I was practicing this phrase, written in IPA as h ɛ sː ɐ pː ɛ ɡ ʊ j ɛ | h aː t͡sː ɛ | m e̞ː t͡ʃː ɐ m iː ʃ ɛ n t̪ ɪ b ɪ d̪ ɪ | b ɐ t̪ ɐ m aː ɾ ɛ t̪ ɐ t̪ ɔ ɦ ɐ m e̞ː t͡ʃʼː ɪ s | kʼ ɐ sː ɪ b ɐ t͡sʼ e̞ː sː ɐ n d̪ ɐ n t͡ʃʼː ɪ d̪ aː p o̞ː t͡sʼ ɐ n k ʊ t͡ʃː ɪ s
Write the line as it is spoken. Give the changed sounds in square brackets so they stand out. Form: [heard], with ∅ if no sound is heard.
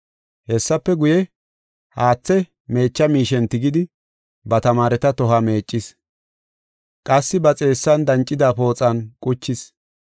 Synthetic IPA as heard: h ɛ sː ɐ pː ɛ ɡ ʊ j ɛ | h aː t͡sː ɛ | m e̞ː t͡ʃː ɐ m iː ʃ ɛ n t̪ ɪ [ɡ] ɪ d̪ ɪ | b ɐ t̪ ɐ m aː ɾ ɛ t̪ ɐ t̪ ɔ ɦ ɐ m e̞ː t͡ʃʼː ɪ s | kʼ ɐ sː ɪ b ɐ t͡sʼ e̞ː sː ɐ n d̪ ɐ n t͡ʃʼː ɪ d̪ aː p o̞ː t͡sʼ ɐ n [kʼ] ʊ t͡ʃː ɪ s

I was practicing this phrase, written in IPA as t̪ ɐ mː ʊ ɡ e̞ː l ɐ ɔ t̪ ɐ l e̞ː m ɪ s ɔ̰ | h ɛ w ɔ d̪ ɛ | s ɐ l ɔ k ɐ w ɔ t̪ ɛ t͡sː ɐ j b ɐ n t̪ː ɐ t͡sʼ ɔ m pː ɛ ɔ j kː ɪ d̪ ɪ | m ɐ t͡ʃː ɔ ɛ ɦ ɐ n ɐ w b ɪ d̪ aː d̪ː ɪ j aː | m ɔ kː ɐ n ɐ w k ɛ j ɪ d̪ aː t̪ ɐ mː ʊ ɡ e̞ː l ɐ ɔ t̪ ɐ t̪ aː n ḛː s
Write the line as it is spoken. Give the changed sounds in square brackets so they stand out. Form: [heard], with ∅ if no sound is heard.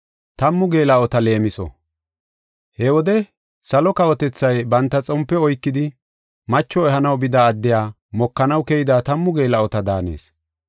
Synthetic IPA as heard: t̪ ɐ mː ʊ ɡ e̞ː l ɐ ɔ t̪ ɐ l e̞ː m ɪ s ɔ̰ | h ɛ w ɔ d̪ ɛ | s ɐ l ɔ k ɐ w ɔ t̪ ɛ t͡sː ɐ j b ɐ n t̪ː ɐ t͡sʼ ɔ m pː ɛ ɔ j kː ɪ d̪ ɪ | m ɐ t͡ʃː ɔ ɛ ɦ ɐ n ɐ w b ɪ d̪ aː d̪ː ɪ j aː | m ɔ kː ɐ n ɐ w k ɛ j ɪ d̪ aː t̪ ɐ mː ʊ ɡ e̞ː l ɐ ɔ t̪ ɐ [d̪] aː n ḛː s

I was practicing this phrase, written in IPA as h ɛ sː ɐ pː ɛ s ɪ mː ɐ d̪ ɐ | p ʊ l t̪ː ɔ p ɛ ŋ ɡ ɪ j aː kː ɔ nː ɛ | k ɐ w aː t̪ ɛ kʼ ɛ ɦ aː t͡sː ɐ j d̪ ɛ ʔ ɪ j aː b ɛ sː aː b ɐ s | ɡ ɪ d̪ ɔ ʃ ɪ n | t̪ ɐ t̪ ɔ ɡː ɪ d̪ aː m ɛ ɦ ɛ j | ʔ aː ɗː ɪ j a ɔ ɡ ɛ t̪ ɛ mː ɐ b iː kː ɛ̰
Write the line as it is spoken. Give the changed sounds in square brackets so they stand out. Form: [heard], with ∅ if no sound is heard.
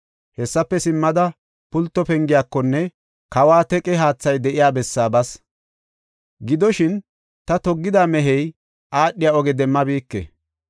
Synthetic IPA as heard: h ɛ sː ɐ pː ɛ s ɪ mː ɐ d̪ ɐ | p ʊ l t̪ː ɔ p ɛ ŋ ɡ ɪ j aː kː ɔ nː ɛ | k ɐ w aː t̪ ɛ kʼ ɛ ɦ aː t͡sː ɐ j d̪ ɛ ʔ ɪ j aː b ɛ sː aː b ɐ s | ɡ ɪ d̪ ɔ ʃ ɪ n | t̪ ɐ t̪ ɔ ɡː ɪ d̪ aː m ɛ ɦ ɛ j | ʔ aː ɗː ɪ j a ɔ ɡ ɛ [d̪] ɛ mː ɐ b iː kː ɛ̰

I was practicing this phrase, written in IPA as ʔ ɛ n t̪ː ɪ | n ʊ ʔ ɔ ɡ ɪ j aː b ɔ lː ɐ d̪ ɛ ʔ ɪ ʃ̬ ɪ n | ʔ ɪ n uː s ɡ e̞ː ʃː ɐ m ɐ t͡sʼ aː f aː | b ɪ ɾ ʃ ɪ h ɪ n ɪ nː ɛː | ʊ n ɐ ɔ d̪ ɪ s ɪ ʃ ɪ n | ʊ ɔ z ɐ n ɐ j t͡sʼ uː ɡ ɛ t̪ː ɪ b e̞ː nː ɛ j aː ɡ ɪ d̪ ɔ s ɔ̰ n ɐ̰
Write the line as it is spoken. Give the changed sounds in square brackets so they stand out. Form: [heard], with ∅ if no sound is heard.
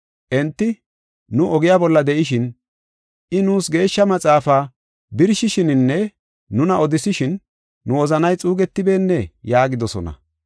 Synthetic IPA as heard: ʔ ɛ n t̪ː ɪ | n ʊ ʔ ɔ ɡ ɪ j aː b ɔ lː ɐ d̪ ɛ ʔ ɪ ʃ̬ ɪ n | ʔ ɪ n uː s ɡ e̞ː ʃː ɐ m ɐ t͡sʼ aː f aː | b ɪ ɾ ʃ ɪ [ʃ] ɪ n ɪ nː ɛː | ʊ n ɐ ɔ d̪ ɪ s ɪ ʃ ɪ [nː] | ʊ ɔ z ɐ n ɐ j t͡sʼ uː ɡ ɛ t̪ː ɪ b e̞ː nː ɛ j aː ɡ ɪ d̪ ɔ s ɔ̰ n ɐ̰

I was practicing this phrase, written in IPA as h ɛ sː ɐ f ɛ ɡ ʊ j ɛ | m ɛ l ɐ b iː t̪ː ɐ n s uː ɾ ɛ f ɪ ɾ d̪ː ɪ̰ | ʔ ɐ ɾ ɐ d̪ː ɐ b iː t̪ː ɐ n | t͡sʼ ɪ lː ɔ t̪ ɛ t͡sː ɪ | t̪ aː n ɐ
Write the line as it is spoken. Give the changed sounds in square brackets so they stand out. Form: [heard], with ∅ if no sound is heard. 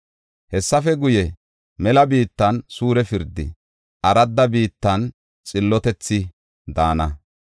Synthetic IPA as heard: h ɛ sː ɐ f ɛ ɡ ʊ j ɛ | m ɛ l ɐ b iː t̪ː ɐ n s uː ɾ ɛ f ɪ ɾ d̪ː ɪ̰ | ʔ ɐ ɾ ɐ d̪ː ɐ b iː t̪ː ɐ n | t͡sʼ ɪ lː ɔ t̪ ɛ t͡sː ɪ | [d̪] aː n ɐ

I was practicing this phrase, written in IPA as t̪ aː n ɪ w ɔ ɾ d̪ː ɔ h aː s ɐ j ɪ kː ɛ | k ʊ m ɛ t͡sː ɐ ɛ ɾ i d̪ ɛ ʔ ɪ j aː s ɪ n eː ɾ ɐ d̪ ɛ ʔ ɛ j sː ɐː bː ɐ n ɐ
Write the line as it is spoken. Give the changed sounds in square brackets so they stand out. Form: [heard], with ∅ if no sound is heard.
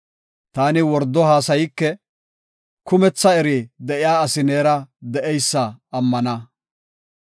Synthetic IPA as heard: t̪ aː n ɪ w ɔ ɾ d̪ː ɔ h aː s ɐ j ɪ kː ɛ | k ʊ m ɛ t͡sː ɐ ɛ ɾ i d̪ ɛ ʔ ɪ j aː s ɪ n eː ɾ ɐ d̪ ɛ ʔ ɛ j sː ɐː [mː] ɐ n ɐ

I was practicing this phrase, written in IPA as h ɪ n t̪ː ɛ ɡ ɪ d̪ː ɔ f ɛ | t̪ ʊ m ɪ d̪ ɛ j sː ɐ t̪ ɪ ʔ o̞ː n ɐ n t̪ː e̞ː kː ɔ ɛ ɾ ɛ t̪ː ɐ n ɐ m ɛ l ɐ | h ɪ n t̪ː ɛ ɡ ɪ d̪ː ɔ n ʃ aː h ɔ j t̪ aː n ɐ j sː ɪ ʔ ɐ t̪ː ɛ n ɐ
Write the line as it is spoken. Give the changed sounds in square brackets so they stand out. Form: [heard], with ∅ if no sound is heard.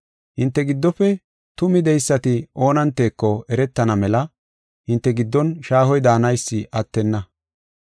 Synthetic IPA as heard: h ɪ n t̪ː ɛ ɡ ɪ d̪ː ɔ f ɛ | t̪ ʊ m ɪ d̪ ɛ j sː ɐ t̪ ɪ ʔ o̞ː n ɐ n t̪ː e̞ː kː ɔ ɛ ɾ ɛ t̪ː ɐ n ɐ m ɛ l ɐ | h ɪ n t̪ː ɛ ɡ ɪ d̪ː ɔ n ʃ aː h ɔ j [d̪] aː n ɐ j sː ɪ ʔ ɐ t̪ː ɛ [nː] ɐ

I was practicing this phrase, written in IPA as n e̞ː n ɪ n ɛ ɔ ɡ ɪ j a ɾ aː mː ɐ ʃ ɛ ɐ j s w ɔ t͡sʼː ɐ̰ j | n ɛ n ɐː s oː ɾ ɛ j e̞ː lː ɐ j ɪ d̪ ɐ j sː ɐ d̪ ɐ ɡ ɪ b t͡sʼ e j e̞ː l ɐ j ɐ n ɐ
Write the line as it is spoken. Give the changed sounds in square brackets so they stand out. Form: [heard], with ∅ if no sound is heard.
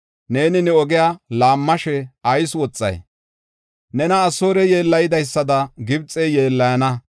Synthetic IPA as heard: n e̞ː n ɪ n ɛ ɔ ɡ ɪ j a [l] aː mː ɐ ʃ ɛ ɐ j s w ɔ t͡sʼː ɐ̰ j | n ɛ n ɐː s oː ɾ ɛ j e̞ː lː ɐ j ɪ d̪ ɐ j sː ɐ d̪ ɐ ɡ ɪ b t͡sʼ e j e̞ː [lː] ɐ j ɐ n ɐ

